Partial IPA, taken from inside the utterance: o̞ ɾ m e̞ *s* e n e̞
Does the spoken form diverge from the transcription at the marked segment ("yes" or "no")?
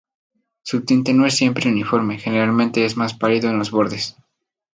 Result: yes